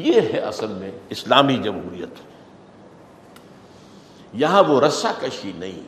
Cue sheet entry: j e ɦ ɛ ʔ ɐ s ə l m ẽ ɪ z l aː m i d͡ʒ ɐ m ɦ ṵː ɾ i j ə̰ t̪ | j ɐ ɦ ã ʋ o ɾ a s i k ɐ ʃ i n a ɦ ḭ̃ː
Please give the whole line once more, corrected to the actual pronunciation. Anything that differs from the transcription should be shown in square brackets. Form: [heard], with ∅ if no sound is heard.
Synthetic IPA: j e ɦ ɛ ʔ ɐ s ə l m ẽ ɪ [s] l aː m i d͡ʒ ɐ m ɦ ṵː ɾ i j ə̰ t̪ | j ɐ ɦ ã ʋ o ɾ [ɐ] s [a] k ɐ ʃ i n [ɐ] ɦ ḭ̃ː